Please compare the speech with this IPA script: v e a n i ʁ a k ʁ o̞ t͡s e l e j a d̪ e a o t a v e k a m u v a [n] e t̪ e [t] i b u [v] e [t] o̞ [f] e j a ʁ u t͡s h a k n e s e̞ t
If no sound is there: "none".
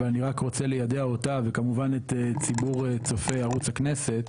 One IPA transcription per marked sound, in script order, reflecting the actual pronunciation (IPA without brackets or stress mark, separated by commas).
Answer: n, t͡s, ʁ, t͡s, f